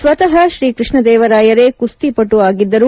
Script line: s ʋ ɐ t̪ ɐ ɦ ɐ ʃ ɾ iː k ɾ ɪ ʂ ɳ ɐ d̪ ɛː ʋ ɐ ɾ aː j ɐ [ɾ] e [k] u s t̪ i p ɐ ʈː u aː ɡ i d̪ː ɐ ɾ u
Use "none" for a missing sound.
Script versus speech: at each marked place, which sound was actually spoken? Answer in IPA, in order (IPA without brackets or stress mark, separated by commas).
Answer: ɾ, k